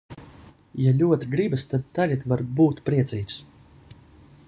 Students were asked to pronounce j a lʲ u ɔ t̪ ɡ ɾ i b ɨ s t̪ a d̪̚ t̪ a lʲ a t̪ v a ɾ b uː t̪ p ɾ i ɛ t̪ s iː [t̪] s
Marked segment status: correct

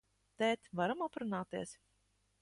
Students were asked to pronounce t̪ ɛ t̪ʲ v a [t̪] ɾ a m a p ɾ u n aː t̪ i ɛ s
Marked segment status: incorrect: none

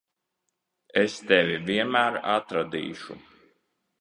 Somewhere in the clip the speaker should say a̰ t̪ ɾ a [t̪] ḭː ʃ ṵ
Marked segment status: incorrect: d̪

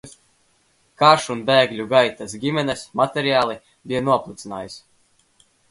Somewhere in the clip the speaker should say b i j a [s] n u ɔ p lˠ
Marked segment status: incorrect: none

